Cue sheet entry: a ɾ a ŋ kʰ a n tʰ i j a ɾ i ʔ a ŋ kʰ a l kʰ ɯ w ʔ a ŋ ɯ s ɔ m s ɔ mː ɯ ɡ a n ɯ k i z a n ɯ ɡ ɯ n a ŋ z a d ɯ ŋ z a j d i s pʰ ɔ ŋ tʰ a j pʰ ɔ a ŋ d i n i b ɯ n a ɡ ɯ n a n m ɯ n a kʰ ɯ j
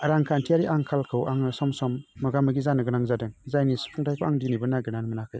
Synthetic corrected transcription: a ɾ a ŋ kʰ a n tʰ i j a ɾ i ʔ a ŋ kʰ a l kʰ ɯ w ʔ a ŋ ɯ s ɔ m s ɔ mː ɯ ɡ a m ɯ ɡ i z a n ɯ ɡ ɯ n a ŋ z a d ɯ ŋ z a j n i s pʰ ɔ ŋ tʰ a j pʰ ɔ a ŋ d i n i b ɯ n a ɡ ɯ n a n m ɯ n a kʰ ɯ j